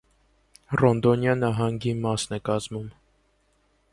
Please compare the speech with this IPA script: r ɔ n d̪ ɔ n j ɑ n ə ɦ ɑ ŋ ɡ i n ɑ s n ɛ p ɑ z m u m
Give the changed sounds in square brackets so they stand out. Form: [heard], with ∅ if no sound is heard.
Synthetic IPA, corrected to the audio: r ɔ n d̪ ɔ n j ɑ n [ɑ] ɦ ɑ ŋ ɡ i [m] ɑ s n ɛ [k] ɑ z m u m